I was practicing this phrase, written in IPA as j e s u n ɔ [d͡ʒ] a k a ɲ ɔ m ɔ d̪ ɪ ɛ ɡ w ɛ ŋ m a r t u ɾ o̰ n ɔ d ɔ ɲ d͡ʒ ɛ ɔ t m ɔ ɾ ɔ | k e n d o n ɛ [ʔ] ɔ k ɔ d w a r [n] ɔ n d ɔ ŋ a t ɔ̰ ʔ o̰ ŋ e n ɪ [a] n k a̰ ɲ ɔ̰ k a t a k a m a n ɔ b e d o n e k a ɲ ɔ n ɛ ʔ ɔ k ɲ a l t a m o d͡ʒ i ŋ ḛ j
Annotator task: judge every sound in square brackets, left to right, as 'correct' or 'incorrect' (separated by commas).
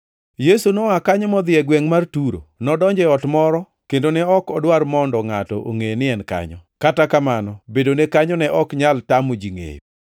incorrect, incorrect, incorrect, incorrect